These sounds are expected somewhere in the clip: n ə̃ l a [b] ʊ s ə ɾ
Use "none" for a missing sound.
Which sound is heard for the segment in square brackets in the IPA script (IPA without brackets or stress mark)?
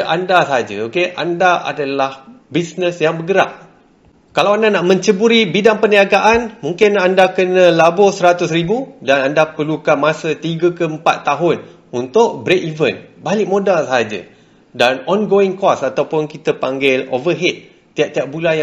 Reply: b